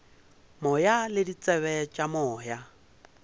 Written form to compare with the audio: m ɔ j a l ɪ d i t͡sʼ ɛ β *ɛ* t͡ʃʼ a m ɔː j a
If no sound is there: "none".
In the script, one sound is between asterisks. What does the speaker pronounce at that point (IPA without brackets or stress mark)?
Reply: ɛ